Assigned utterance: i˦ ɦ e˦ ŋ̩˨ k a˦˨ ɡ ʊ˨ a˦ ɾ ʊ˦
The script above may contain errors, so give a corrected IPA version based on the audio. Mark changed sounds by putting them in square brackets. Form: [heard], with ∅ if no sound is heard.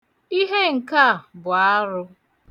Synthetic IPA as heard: i˦ ɦ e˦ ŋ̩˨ k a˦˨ [b] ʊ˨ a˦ ɾ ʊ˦